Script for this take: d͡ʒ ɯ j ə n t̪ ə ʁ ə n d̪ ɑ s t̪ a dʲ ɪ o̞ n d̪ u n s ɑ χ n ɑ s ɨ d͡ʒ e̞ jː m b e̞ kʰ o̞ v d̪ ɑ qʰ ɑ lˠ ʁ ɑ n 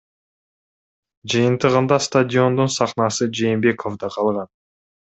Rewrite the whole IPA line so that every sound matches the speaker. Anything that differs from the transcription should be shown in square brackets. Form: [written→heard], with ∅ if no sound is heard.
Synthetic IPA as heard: d͡ʒ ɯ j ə n t̪ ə ʁ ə n d̪ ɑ s t̪ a dʲ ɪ o̞ n d̪ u n s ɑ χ n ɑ s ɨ d͡ʒ e̞ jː m b e̞ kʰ o̞ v d̪ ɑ qʰ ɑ lˠ ʁ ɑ n